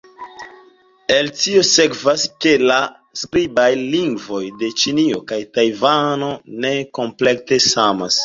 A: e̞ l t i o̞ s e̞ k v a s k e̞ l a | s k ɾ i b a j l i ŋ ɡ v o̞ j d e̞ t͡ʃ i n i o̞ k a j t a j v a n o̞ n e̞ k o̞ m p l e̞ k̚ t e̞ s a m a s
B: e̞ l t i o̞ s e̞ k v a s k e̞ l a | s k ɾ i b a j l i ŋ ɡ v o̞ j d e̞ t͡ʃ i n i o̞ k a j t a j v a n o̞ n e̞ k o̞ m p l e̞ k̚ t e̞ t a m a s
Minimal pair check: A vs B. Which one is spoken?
A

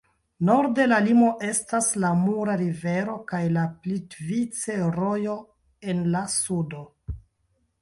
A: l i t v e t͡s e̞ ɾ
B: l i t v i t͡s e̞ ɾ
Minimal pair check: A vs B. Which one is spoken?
B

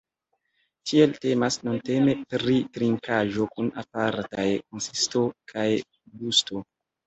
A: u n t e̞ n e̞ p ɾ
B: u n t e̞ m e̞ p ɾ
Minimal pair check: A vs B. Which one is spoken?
B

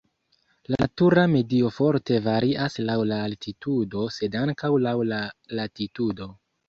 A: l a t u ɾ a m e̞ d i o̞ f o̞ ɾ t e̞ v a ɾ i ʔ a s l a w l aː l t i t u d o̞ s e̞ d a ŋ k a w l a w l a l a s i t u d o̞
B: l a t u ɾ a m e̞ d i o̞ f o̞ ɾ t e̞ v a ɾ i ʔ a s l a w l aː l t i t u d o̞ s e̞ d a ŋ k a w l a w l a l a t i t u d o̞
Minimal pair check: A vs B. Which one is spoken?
B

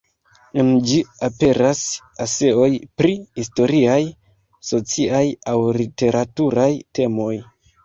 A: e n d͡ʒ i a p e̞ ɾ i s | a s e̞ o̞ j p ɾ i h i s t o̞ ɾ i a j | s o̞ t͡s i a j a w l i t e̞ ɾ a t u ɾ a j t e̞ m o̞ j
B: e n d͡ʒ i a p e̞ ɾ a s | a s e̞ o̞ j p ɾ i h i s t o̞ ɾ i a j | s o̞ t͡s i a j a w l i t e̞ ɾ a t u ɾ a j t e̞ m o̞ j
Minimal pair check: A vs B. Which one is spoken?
B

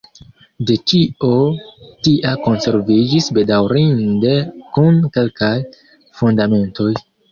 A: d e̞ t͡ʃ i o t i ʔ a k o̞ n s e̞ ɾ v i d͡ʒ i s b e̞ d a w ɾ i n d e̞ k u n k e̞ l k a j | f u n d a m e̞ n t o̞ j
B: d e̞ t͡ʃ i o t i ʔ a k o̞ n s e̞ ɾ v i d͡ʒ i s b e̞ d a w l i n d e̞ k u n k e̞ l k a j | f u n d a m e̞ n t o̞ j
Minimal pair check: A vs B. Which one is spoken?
A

